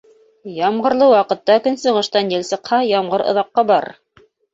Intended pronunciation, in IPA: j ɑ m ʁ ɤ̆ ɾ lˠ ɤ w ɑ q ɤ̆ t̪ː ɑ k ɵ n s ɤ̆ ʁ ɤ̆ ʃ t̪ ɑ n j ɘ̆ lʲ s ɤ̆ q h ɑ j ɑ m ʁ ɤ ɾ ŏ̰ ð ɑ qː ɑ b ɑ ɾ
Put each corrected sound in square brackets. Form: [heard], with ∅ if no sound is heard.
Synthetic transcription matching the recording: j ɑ m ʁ ɤ̆ ɾ lˠ ɤ w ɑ q ɤ̆ t̪ː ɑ k ɵ n s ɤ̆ ʁ ɤ̆ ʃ t̪ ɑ n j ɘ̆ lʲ s ɤ̆ q h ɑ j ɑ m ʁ ɤ ɾ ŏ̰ ð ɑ qː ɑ b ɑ ɾ